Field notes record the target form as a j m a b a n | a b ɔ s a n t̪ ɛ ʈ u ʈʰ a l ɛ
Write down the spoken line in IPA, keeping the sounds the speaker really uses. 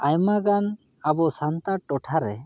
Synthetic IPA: a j m a ɡ a n | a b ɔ s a n t̪ a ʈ ɔ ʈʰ a ɾ ɛ